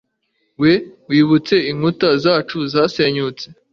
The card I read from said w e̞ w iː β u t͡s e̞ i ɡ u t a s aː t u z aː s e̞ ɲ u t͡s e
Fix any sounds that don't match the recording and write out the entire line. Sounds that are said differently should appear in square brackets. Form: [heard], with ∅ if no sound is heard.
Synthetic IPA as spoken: w e̞ w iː β u t͡s e̞ i [ŋ] u t a [z] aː [t͡ʃ] u z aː s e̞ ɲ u t͡s e